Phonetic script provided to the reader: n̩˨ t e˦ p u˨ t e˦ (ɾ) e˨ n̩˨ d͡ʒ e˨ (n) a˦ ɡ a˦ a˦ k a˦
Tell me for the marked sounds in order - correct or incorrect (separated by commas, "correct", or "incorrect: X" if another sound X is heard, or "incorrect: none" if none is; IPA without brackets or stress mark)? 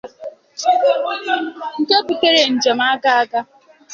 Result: correct, incorrect: m